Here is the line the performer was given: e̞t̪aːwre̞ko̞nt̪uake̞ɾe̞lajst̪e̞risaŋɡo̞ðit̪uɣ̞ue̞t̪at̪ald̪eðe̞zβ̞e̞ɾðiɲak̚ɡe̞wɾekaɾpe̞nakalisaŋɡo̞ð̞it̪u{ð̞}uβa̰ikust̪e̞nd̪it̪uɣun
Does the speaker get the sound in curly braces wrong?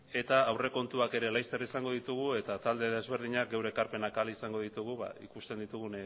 yes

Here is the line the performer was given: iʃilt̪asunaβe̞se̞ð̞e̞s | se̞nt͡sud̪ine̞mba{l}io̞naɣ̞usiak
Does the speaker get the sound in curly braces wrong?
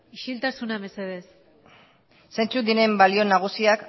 no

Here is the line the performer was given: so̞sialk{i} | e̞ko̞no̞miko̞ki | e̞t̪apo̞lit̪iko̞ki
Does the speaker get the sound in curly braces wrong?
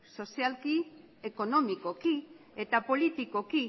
no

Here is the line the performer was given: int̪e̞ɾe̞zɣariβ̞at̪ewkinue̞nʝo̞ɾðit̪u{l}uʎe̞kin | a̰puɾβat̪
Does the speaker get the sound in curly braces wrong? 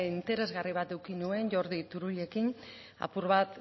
yes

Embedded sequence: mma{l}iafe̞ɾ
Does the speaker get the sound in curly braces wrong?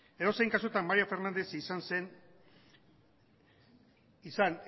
yes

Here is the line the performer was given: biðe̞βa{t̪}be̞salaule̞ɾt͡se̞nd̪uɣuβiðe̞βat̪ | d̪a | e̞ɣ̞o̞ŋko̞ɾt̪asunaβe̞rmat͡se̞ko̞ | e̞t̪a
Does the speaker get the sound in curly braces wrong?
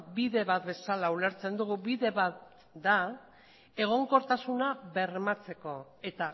no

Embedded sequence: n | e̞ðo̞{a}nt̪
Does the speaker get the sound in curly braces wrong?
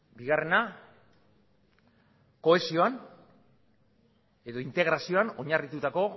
yes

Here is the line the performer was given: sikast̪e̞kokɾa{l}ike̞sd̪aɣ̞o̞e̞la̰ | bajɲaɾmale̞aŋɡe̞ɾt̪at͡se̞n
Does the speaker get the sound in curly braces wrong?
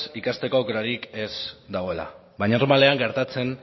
yes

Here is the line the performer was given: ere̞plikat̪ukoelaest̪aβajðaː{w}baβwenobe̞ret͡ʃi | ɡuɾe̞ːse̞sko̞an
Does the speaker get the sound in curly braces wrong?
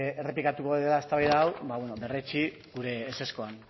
no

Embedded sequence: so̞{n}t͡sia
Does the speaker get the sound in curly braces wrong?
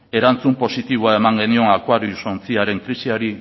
no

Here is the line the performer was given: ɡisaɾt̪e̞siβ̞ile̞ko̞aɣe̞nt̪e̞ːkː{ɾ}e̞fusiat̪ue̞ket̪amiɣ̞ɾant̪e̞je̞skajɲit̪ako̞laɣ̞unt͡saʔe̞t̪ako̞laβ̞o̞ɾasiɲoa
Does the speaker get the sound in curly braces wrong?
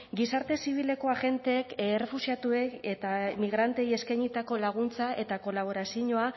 yes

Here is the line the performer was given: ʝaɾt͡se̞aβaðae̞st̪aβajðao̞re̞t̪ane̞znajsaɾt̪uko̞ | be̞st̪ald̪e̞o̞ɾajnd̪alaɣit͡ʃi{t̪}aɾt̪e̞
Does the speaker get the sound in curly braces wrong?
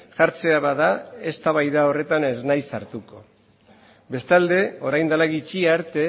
yes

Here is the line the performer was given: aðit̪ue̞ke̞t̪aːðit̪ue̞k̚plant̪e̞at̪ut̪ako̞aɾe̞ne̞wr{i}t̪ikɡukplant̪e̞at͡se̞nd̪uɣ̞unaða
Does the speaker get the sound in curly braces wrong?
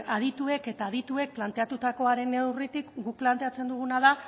no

